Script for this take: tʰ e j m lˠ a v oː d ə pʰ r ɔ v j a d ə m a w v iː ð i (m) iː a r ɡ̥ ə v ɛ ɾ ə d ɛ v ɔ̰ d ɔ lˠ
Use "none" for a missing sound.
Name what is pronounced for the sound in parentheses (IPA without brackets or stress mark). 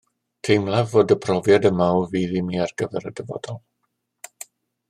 m